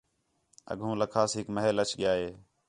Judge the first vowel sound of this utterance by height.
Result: mid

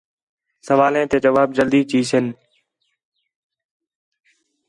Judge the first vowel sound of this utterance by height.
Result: mid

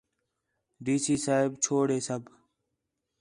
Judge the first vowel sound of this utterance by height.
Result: high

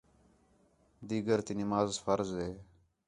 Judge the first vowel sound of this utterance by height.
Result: high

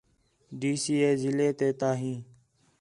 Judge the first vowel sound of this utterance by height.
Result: high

